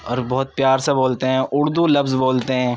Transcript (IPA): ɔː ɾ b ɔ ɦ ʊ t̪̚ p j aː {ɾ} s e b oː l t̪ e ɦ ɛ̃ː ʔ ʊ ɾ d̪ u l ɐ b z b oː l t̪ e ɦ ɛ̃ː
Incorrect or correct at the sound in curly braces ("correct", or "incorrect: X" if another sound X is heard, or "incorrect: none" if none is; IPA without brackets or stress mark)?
correct